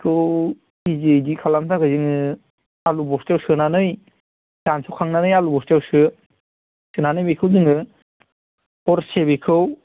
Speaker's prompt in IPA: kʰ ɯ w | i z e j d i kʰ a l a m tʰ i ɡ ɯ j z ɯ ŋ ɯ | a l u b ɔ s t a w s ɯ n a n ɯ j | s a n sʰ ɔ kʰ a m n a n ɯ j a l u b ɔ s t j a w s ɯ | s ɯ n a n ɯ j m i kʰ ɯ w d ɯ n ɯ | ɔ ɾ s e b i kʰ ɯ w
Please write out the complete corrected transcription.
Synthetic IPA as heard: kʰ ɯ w | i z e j d i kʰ a l a m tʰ a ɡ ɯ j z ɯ ŋ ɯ | a l u b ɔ s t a w s ɯ n a n ɯ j | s a n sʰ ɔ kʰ a ŋ n a n ɯ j a l u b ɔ s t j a w s ɯ | s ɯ n a n ɯ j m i kʰ ɯ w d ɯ ŋ ɯ | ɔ ɾ s e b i kʰ ɯ w